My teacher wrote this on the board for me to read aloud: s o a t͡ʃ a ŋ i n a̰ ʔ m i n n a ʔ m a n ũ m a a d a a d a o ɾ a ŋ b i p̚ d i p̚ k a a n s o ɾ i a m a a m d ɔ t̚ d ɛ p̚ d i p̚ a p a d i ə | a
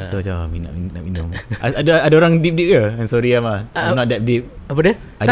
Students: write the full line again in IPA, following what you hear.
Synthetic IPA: s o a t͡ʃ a m i n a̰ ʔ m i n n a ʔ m i n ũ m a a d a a d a o ɾ a ŋ d i p̚ d i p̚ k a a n s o ɾ i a m a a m n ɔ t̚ d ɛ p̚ d i p̚ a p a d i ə | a